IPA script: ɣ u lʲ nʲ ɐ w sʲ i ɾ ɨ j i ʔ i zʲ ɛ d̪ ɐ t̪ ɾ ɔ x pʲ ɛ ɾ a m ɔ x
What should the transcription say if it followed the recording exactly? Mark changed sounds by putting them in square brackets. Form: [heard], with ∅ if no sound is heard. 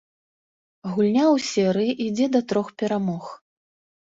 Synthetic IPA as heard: ɣ u lʲ nʲ [a] w sʲ [ɛ] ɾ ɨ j i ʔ i [d͡zʲ] ɛ d̪ ɐ t̪ ɾ ɔ x pʲ ɛ ɾ a m ɔ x